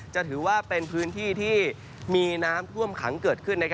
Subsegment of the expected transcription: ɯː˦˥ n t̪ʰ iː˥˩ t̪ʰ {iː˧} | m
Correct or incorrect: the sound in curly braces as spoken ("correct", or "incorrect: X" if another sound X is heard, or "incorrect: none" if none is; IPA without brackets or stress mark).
incorrect: iː˥˩